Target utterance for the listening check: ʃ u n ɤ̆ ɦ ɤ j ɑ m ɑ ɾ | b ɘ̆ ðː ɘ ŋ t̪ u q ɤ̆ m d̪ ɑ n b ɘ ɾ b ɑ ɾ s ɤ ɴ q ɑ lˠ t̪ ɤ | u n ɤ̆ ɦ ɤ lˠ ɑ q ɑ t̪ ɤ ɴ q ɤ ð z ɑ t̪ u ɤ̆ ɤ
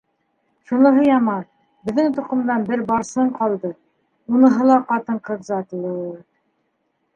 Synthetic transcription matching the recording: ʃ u n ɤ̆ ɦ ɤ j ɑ m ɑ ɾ | b ɘ̆ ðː ɘ ŋ t̪ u q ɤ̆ m d̪ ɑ n b ɘ ɾ b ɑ ɾ s ɤ ɴ q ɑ lˠ d̪ ɤ | u n ɤ̆ ɦ ɤ lˠ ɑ q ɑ t̪ ɤ ɴ q ɤ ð z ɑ t̪ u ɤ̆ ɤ

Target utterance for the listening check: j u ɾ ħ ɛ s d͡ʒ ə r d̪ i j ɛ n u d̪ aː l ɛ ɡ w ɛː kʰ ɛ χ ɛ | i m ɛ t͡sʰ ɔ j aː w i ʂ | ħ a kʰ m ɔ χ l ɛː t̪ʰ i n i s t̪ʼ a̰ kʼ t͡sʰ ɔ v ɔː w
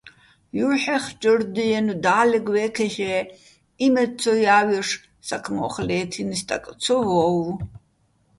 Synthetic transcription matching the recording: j u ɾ ħ ɛ χ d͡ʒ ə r d̪ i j ɛ n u d̪ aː l ɛ ɡ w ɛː kʰ ɛ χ ɛ | i m ɛ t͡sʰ ɔ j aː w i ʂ | s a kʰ m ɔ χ l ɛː t̪ʰ i n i s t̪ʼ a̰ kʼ t͡sʰ ɔ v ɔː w

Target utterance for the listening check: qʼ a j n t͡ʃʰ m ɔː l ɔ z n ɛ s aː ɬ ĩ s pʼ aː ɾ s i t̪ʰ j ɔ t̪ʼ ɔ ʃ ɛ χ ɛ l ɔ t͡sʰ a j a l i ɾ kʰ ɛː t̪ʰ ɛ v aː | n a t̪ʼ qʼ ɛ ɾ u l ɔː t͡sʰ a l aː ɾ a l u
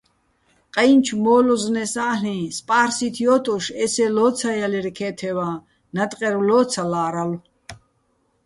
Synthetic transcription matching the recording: qʼ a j n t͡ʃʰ m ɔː l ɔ z n ɛ s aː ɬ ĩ s pʼ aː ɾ s i t̪ʰ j ɔ t̪ʼ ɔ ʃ ɛ s ɛ l ɔ t͡sʰ a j a l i ɾ kʰ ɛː t̪ʰ ɛ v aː | n a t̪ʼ qʼ ɛ ɾ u l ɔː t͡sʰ a l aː ɾ a l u

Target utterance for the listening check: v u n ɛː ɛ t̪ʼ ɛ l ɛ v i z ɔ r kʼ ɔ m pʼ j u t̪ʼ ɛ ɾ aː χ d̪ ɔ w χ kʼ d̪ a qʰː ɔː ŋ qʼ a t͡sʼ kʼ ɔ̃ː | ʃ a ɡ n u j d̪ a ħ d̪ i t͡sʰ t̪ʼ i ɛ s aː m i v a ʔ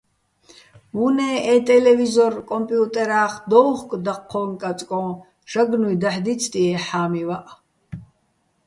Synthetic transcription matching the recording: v u n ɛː ɛ t̪ʼ ɛ l ɛ v i z ɔ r kʼ ɔ m pʼ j u t̪ʼ ɛ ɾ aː χ d̪ ɔ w χ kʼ d̪ a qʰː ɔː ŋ kʼ a t͡sʼ kʼ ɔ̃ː | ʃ a ɡ n u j d̪ a ħ d̪ i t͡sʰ t̪ʼ i ɛ ħ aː m i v a ʔ

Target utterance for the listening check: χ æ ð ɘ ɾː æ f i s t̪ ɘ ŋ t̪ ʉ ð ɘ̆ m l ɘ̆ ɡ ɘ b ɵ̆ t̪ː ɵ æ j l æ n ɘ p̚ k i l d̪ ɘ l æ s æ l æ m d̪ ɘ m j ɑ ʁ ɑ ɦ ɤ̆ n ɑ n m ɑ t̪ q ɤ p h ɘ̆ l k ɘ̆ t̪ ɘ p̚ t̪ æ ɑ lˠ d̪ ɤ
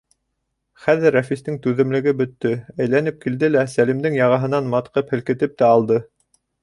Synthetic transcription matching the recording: χ æ ð ɘ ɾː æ f i s t̪ ɘ ŋ t̪ ʉ ð ɘ̆ m l ɘ̆ ɡ ɘ b ɵ̆ t̪ː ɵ æ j l æ n ɘ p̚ k i l d̪ ɘ l æ s æ l i m d̪ ɘ ŋ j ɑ ʁ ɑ ɦ ɤ̆ n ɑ n m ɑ t̪ q ɤ p h ɘ̆ l k ɘ̆ t̪ ɘ p̚ t̪ æ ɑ lˠ d̪ ɤ

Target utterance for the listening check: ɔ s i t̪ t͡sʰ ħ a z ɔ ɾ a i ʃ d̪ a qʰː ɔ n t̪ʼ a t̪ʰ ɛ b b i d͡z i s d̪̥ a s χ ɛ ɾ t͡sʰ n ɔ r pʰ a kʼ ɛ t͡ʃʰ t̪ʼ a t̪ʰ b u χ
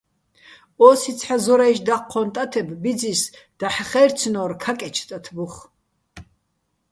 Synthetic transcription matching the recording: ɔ s i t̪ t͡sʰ ħ a z ɔ ɾ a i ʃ d̪ a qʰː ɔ n t̪ʼ a t̪ʰ ɛ b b i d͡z i s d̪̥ a ħ χ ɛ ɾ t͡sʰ n ɔ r kʰ a kʼ ɛ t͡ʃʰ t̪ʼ a t̪ʰ b u χ

